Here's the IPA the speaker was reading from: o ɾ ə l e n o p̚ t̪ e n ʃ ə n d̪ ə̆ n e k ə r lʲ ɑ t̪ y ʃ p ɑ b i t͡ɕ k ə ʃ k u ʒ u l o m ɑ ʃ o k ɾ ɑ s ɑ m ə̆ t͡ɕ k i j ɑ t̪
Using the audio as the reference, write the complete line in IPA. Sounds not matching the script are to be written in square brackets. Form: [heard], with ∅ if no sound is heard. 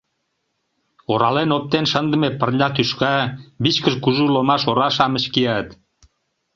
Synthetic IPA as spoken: o ɾ [ɑ] l e n o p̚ t̪ e n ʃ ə n d̪ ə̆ [m] e [p] ə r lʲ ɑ t̪ y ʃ [k] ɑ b i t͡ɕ k ə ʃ k u ʒ u l o m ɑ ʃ o [∅] ɾ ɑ [ʃ] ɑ m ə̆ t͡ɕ k i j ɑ t̪